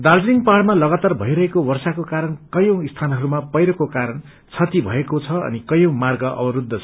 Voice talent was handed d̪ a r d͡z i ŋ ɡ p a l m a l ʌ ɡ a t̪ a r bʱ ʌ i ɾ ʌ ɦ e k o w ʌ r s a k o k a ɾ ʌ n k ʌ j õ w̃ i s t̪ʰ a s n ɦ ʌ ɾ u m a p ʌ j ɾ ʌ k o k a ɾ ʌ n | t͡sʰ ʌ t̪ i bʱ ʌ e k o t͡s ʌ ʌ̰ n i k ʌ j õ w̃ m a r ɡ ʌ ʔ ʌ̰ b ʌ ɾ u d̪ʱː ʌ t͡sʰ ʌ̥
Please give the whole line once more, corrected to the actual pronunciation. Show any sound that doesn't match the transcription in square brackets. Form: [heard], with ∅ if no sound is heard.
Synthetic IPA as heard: d̪ a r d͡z i ŋ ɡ p a [ɽ] m a l ʌ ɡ a t̪ a r bʱ ʌ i ɾ ʌ ɦ e k o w ʌ r s a k o k a ɾ ʌ n k ʌ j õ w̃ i s t̪ʰ a [∅] n ɦ ʌ ɾ u m a p ʌ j ɾ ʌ k o k a ɾ ʌ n | t͡sʰ ʌ t̪ i bʱ ʌ e k o [t͡sʰ] ʌ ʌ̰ n i k ʌ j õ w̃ m a r ɡ ʌ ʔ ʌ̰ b ʌ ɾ u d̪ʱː ʌ t͡sʰ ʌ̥